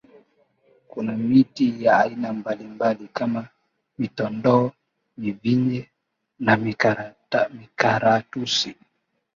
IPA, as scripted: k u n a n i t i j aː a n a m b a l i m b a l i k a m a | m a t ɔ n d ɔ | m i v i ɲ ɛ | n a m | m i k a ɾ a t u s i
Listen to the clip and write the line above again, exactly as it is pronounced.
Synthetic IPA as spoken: k u n a m i t i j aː i n a m b a l i m b a l i k a m a | m i t ɔ n d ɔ | m i v i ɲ ɛ | n a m | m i k a ɾ a t u s i